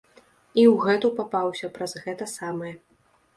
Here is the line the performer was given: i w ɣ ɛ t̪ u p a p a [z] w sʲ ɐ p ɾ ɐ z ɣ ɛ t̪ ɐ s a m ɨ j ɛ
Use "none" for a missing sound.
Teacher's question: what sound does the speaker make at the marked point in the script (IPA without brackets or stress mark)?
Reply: none